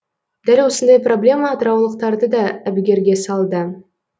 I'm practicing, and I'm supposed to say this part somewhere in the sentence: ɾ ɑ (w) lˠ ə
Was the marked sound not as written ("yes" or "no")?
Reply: no